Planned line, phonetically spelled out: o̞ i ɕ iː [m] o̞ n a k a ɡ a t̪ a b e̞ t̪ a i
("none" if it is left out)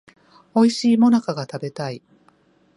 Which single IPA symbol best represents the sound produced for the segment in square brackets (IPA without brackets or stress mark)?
m